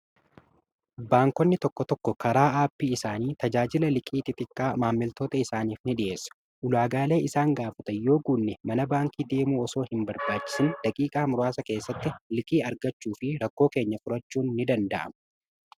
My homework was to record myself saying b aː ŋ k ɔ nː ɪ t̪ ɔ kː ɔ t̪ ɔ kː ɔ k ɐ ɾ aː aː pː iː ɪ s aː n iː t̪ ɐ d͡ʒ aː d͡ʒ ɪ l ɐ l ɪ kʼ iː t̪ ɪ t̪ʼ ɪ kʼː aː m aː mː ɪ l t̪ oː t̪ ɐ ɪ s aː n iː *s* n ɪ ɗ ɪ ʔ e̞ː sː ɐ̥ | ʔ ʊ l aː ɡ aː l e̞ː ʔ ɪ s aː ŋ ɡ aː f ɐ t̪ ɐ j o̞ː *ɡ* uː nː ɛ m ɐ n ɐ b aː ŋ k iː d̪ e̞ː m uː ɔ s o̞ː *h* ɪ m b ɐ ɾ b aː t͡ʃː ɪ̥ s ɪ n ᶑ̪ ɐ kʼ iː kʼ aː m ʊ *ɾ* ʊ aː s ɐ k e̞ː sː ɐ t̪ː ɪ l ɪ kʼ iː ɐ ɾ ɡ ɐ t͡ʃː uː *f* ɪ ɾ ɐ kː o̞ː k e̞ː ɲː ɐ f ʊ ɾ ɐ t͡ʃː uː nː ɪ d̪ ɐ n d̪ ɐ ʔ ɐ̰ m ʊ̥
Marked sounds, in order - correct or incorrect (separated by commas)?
incorrect, correct, correct, correct, correct